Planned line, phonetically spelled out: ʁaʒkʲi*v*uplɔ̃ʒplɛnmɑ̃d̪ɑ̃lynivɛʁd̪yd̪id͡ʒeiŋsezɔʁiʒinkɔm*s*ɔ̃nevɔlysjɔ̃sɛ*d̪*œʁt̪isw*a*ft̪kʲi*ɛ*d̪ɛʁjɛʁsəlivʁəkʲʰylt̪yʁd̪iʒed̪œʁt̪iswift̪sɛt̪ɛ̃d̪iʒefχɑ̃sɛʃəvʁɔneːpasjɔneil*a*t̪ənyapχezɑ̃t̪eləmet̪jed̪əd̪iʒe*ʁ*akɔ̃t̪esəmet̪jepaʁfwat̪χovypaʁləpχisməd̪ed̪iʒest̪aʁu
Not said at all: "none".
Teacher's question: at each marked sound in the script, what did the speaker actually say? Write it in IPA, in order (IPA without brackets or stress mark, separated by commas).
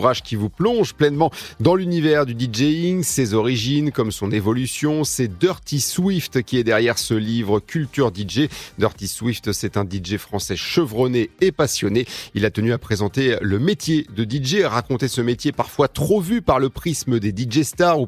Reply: v, s, d̪, i, ɛ, a, ʁ